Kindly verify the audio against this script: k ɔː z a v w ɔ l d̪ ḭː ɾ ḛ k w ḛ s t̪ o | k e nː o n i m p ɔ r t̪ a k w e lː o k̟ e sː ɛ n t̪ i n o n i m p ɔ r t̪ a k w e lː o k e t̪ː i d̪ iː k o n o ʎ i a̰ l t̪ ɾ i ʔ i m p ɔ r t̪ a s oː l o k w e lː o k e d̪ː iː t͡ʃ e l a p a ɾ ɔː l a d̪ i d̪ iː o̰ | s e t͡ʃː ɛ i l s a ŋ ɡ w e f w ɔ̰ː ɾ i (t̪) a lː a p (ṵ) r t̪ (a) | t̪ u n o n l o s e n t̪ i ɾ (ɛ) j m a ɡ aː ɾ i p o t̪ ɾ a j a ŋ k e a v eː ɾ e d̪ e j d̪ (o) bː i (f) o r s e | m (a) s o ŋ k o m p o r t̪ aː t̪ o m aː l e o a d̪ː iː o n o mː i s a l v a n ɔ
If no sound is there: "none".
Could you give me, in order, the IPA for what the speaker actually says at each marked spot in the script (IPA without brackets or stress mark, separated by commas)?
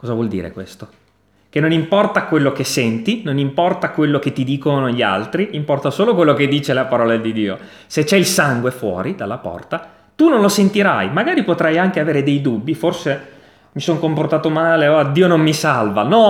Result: d̪, ɔ̰, a, a, u, f, i